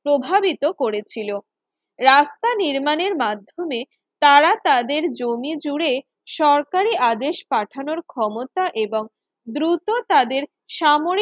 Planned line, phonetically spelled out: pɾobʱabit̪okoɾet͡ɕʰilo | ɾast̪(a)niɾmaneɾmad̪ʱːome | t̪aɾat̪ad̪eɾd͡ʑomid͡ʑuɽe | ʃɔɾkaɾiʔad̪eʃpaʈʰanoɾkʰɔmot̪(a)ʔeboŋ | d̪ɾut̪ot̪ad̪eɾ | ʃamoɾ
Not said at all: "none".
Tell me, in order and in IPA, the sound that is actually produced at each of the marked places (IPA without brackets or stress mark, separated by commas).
a, a